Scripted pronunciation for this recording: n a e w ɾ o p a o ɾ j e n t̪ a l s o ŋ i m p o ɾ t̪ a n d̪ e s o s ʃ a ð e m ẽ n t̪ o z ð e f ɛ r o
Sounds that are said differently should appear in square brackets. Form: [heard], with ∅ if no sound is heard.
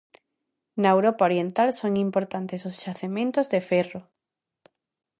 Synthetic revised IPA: n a e w ɾ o p a o ɾ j e n t̪ a l s o ŋ i m p o ɾ t̪ a n [t̪] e s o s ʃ a [θ] e m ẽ n t̪ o z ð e f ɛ r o